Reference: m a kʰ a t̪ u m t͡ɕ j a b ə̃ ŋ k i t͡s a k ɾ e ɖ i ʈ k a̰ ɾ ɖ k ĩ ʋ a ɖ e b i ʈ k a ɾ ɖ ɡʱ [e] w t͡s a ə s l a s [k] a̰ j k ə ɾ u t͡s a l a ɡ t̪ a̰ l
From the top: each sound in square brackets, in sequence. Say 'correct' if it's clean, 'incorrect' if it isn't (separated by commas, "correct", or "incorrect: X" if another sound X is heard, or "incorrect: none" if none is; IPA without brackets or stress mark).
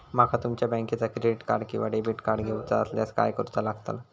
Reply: correct, correct